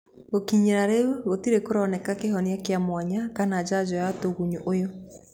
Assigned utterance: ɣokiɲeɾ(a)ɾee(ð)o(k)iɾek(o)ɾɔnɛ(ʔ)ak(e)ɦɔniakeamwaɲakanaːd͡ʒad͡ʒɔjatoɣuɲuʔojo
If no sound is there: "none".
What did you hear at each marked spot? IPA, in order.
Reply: a, ɣ, t, o, k, e

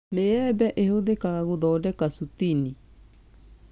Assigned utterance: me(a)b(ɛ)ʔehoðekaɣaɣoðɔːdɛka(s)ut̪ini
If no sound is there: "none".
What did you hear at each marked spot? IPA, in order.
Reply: ɛ, ɛ, s

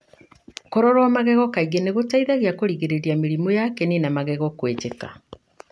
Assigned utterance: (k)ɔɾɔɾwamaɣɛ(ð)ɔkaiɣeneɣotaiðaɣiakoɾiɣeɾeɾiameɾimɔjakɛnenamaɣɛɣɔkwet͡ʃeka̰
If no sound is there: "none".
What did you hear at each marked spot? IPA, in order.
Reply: k, ɣ

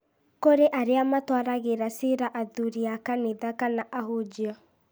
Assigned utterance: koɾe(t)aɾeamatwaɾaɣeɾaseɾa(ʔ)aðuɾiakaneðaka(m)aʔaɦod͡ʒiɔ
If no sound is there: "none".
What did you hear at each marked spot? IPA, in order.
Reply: ʔ, ʔ, n

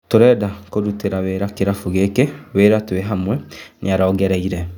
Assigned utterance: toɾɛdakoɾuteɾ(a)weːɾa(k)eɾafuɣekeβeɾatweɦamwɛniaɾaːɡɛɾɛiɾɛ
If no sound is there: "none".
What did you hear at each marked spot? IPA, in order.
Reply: a, k

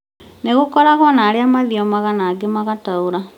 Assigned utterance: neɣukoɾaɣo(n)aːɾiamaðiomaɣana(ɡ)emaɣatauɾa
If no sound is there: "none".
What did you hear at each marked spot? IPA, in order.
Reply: n, ɡ

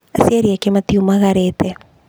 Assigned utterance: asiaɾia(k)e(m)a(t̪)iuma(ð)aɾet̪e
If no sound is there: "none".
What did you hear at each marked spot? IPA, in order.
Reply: k, m, t̪, ɣ

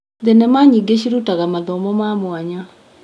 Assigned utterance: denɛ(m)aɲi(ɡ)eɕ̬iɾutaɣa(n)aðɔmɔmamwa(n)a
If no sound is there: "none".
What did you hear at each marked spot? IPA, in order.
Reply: m, ɡ, m, ɲ

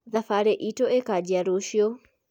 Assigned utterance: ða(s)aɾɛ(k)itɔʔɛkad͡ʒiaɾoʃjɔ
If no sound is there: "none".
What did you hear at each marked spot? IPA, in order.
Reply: f, ʔ

